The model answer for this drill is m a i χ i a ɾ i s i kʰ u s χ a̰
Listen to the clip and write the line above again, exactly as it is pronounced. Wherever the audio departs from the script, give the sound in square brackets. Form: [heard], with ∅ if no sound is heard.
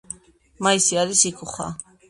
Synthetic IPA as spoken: m a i [s] i a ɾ i s i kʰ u [∅] χ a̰